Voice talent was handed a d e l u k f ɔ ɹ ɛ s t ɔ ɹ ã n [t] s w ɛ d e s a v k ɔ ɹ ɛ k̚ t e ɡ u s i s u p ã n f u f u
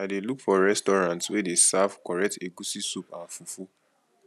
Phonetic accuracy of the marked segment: correct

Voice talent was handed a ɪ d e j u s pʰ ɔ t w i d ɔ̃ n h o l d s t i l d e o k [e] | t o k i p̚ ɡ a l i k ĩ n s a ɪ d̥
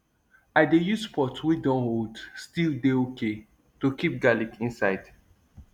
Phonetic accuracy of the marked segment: correct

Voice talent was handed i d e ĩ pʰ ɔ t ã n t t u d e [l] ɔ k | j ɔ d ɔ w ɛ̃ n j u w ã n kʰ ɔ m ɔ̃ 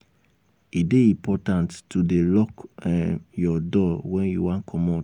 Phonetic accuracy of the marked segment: correct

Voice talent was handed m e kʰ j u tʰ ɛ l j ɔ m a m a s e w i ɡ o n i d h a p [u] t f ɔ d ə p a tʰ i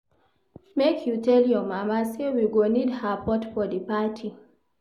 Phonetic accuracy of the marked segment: incorrect: ɔ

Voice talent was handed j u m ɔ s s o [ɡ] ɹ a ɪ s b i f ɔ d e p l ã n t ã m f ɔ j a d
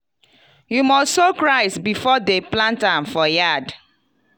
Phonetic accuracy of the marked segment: incorrect: k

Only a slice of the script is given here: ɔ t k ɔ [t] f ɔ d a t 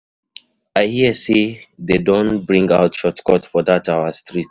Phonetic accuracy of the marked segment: correct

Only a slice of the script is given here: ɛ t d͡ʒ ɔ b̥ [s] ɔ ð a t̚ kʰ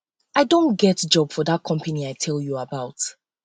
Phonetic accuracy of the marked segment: incorrect: f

